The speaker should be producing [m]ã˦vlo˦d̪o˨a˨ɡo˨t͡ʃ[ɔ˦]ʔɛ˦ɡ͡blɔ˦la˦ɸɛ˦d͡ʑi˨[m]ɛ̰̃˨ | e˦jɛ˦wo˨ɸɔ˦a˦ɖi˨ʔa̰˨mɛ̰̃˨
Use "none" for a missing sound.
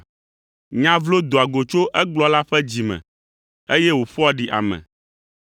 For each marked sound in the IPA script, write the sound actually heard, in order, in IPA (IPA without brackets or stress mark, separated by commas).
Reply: ɲ, o˦, m